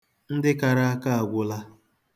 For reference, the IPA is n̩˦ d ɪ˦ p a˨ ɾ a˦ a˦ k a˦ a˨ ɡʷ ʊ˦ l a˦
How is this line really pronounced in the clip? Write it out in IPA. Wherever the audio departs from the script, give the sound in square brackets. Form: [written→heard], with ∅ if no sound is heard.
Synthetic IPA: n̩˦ d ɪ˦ [p→k] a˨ ɾ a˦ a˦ k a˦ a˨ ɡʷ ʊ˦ l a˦

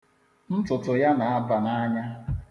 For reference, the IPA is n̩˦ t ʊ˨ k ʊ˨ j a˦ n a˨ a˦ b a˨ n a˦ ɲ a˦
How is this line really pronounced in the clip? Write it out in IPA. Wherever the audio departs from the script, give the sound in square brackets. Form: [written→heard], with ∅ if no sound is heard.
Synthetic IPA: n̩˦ t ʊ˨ [k→t] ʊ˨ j a˦ n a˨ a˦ b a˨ n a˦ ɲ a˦

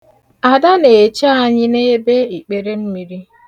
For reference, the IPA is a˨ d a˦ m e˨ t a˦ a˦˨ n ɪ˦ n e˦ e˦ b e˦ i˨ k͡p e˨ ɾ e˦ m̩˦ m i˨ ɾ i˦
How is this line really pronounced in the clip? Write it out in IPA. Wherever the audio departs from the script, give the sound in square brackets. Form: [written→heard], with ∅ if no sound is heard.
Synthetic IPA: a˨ d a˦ [m→n] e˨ [t→t͡ʃ] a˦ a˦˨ [n→ɲ] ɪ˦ n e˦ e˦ b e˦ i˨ k͡p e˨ ɾ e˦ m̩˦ m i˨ ɾ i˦

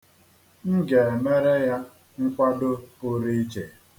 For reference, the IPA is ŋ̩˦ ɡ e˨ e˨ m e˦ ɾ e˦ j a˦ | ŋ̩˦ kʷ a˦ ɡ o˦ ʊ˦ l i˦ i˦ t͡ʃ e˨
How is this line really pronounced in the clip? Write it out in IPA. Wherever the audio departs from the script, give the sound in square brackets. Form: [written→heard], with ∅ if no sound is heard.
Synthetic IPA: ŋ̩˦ ɡ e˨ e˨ m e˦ ɾ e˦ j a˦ | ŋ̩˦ kʷ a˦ [ɡ→d] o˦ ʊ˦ [l→ɾ] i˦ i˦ t͡ʃ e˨

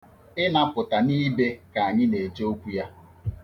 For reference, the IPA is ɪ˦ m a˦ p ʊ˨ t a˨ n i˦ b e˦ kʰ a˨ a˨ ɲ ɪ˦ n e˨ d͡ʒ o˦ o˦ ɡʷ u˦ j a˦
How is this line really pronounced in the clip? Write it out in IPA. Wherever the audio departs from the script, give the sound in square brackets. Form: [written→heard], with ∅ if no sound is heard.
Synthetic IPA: ɪ˦ [m→n] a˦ p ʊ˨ t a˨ n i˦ b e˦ [kʰ→k] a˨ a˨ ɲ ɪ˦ n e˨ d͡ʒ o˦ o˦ [ɡʷ→kʷ] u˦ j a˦

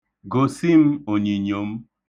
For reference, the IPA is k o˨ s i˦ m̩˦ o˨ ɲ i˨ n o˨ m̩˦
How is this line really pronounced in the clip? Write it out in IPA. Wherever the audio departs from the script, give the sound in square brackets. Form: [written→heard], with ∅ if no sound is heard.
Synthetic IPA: [k→ɡ] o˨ s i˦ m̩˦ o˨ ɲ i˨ [n→ɲ] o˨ m̩˦

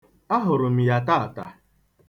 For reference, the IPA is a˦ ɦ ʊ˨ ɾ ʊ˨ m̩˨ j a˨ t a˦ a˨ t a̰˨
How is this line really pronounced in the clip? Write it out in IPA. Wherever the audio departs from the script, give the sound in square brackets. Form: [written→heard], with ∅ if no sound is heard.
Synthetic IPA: a˦ ɦ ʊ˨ ɾ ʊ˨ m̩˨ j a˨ t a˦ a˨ t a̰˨

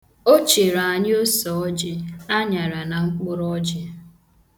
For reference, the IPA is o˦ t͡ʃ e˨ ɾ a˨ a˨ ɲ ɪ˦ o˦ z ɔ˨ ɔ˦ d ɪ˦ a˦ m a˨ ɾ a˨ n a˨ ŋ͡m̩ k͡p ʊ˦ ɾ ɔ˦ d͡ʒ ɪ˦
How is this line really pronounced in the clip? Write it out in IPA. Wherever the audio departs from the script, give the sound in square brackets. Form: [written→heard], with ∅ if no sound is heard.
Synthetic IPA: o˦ t͡ʃ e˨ ɾ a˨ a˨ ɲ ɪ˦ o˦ [z→s] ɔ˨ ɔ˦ [d→d͡ʒ] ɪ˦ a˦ [m→ɲ] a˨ ɾ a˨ n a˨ ŋ͡m̩ k͡p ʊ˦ ɾ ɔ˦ d͡ʒ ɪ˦

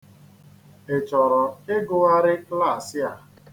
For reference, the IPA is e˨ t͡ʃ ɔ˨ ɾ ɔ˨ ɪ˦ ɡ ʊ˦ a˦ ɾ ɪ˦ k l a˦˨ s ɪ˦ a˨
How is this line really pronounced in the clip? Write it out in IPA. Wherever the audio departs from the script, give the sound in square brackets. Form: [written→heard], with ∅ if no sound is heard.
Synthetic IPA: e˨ t͡ʃ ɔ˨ ɾ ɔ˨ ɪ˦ ɡ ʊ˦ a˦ ɾ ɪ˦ k l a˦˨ s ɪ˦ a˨

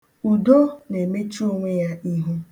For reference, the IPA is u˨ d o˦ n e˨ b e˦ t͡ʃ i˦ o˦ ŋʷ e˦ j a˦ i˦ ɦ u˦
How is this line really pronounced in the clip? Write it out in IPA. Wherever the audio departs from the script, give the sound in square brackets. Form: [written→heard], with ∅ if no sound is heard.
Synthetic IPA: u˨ d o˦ n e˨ [b→m] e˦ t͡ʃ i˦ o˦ ŋʷ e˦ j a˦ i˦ ɦ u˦

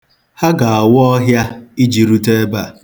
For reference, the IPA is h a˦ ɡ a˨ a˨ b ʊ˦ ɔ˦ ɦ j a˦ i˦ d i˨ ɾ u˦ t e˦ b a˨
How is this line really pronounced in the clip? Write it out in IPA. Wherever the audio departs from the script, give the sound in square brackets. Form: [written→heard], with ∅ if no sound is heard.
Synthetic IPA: h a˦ ɡ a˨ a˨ [b→w] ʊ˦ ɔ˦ ɦ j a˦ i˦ [d→d͡ʒ] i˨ ɾ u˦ t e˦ b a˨

